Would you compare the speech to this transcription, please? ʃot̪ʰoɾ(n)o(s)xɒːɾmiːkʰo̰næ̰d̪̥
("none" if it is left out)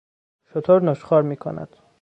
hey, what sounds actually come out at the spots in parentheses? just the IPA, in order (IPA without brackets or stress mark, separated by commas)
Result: n, ʃ